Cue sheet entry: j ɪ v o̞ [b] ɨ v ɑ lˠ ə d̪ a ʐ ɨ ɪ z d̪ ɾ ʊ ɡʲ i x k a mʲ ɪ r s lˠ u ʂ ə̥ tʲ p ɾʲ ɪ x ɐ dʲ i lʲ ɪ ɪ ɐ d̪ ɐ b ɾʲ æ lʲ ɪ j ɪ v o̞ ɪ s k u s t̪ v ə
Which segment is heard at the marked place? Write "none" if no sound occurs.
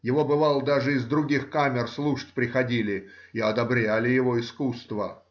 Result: b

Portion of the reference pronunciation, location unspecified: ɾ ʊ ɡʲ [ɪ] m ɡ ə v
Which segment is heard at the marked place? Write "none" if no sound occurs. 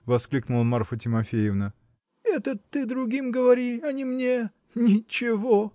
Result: i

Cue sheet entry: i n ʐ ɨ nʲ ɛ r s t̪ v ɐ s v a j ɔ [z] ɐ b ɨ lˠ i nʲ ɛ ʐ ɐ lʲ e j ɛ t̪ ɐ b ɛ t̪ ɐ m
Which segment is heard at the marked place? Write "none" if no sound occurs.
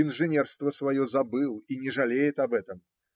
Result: z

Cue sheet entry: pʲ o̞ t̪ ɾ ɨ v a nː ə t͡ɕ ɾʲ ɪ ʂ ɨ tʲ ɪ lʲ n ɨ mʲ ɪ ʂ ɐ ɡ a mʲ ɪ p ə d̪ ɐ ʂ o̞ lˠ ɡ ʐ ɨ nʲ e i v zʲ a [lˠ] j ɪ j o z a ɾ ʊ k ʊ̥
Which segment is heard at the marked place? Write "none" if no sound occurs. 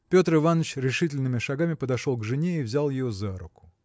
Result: lˠ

